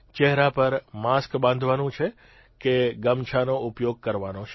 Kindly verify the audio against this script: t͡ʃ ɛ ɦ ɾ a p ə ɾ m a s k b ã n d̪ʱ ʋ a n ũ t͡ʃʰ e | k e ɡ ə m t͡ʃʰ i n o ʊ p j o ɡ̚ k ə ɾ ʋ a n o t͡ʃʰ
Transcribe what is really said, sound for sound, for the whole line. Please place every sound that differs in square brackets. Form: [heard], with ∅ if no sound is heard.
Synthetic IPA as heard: t͡ʃ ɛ ɦ ɾ a p ə ɾ m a s k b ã n d̪ʱ ʋ a n ũ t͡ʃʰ e | k e ɡ ə m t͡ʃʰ [a] n o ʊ p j o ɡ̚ k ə ɾ ʋ a n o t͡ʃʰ